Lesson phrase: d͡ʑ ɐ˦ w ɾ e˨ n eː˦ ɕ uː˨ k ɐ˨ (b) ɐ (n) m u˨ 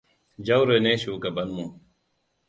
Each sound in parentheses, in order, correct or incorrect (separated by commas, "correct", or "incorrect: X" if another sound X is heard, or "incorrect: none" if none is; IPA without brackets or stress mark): correct, correct